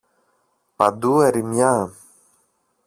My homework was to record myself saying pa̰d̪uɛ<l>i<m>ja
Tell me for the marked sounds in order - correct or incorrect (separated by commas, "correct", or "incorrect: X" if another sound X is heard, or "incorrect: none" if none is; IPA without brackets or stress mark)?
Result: incorrect: ɾ, correct